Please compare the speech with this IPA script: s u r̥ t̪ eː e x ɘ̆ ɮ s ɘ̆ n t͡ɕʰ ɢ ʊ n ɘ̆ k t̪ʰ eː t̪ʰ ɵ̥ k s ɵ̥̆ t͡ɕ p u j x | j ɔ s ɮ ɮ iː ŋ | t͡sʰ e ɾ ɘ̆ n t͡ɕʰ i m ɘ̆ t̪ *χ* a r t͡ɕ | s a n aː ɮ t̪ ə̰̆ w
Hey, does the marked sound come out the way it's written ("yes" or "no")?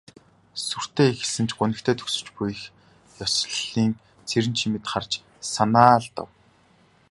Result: yes